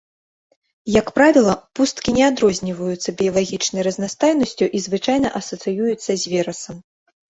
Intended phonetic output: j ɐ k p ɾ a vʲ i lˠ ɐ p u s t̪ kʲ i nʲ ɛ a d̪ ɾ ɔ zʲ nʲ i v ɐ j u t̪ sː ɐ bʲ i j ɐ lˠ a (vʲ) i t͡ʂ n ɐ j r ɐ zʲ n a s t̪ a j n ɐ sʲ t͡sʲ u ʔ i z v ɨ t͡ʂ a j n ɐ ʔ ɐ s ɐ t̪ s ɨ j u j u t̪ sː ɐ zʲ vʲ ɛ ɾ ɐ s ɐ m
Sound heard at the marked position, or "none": ɣʲ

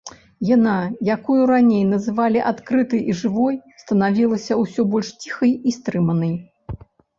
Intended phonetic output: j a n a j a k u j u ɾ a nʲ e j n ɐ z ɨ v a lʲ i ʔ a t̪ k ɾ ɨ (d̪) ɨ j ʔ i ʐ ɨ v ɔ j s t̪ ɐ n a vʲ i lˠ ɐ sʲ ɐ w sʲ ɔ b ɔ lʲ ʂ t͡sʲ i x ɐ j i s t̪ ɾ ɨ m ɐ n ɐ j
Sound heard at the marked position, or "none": t̪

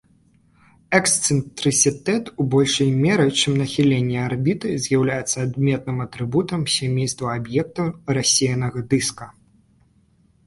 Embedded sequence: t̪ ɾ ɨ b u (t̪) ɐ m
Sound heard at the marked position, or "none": t̪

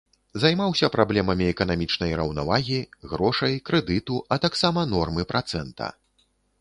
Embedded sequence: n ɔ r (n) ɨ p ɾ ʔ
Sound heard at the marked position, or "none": m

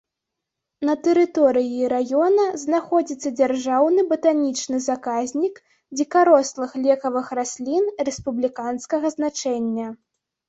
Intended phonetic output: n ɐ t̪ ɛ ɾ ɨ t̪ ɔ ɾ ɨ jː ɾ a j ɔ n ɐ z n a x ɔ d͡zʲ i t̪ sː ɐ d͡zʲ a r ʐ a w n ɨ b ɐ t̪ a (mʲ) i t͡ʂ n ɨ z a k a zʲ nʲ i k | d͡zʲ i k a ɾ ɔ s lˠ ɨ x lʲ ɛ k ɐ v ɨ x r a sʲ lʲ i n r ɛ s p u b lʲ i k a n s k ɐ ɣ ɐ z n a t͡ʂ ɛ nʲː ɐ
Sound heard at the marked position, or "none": nʲ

